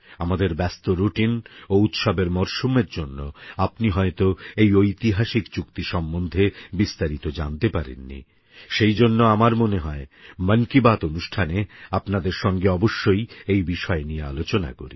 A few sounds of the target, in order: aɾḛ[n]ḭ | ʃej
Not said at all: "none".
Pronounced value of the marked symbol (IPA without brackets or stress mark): nː